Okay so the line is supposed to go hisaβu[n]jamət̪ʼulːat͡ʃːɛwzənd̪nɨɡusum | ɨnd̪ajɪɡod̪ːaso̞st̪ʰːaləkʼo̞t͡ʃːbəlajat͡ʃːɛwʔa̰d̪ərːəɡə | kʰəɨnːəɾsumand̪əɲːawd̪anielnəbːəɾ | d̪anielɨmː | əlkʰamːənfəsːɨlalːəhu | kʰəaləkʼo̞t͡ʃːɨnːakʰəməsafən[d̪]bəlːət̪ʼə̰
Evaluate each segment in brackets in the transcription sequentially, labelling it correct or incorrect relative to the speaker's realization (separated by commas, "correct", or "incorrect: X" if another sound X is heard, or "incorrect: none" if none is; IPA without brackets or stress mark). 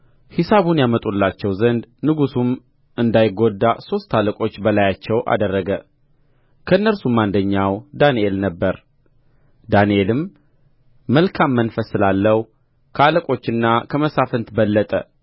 correct, incorrect: t̪